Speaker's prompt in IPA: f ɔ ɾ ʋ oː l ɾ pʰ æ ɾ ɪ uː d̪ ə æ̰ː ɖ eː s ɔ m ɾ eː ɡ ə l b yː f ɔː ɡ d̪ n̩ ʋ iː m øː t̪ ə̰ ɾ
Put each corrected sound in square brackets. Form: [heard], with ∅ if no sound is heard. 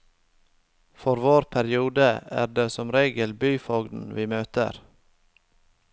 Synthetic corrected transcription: f ɔ ɾ ʋ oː [∅] ɾ pʰ æ ɾ ɪ uː d̪ ə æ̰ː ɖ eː s ɔ m ɾ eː ɡ ə l b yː f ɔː ɡ d̪ n̩ ʋ iː m øː t̪ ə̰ ɾ